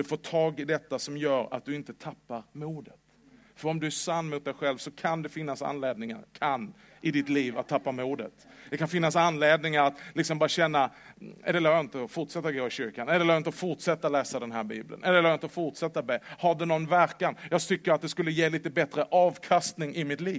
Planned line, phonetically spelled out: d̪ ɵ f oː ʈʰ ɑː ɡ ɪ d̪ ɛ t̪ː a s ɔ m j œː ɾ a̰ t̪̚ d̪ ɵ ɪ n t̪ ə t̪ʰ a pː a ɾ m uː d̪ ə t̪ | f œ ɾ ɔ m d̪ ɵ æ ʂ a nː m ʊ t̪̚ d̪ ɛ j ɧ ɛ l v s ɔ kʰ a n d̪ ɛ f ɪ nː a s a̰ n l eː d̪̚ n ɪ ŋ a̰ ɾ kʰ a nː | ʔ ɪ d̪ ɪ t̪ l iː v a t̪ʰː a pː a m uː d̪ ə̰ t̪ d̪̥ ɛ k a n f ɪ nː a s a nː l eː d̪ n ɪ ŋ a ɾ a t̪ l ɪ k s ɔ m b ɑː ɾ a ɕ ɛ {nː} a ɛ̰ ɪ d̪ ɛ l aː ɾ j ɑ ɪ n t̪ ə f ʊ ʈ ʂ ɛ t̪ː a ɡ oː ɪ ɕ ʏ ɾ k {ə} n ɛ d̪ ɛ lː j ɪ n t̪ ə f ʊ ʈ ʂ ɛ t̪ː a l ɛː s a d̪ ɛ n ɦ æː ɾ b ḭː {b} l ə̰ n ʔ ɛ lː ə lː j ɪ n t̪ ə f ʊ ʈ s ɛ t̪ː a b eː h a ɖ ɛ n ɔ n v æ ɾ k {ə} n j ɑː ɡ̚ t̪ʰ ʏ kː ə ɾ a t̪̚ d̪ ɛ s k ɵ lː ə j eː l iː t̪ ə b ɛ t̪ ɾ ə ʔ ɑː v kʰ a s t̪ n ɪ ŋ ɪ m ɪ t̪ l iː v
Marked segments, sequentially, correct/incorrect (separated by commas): correct, incorrect, correct, incorrect